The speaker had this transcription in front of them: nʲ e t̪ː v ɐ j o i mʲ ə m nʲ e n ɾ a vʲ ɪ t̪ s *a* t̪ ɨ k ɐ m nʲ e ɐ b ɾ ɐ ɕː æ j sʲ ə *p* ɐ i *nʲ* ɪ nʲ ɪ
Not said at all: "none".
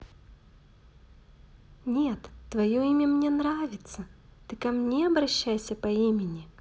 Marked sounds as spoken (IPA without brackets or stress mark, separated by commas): ə, p, mʲ